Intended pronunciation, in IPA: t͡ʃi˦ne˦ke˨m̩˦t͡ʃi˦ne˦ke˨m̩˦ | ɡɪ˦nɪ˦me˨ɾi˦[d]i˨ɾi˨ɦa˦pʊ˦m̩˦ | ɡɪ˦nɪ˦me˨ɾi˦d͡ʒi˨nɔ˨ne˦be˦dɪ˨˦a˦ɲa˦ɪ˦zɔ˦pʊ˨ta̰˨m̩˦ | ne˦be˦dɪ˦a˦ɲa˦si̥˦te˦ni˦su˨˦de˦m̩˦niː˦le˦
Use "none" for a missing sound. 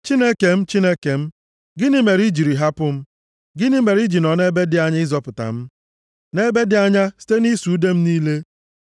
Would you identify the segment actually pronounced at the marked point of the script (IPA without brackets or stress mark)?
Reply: d͡ʒ